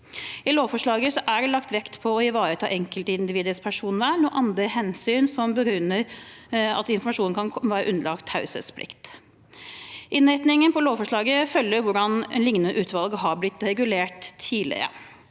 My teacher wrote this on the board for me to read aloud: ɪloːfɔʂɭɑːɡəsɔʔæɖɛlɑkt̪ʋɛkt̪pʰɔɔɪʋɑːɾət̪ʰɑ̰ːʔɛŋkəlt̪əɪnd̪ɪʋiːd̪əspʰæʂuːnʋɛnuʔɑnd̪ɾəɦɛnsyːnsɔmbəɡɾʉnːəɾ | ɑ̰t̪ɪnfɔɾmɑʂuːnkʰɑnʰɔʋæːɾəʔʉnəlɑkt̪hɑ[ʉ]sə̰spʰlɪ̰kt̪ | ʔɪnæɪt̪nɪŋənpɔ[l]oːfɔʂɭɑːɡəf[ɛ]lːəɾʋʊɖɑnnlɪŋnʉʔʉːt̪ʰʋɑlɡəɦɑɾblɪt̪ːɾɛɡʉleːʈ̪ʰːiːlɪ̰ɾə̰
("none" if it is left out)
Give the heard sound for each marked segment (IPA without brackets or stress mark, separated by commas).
ʉ, l, œ